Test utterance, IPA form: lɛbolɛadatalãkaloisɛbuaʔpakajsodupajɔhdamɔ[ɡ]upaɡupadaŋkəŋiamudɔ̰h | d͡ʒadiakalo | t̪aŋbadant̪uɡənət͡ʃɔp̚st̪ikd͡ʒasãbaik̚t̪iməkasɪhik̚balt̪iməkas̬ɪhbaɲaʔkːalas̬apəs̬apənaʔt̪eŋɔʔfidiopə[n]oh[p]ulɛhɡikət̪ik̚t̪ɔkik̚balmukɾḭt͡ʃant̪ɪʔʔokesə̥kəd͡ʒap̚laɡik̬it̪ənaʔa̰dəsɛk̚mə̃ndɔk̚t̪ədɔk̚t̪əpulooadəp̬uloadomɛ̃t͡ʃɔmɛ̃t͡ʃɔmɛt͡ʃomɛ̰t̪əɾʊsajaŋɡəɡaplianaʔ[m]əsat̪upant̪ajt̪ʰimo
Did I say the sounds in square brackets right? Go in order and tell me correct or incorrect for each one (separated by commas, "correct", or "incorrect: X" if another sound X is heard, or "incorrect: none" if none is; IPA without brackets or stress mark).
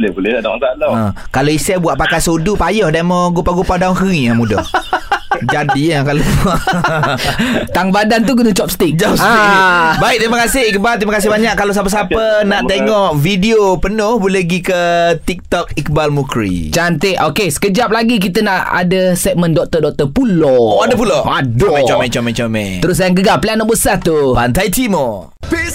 correct, correct, incorrect: b, incorrect: b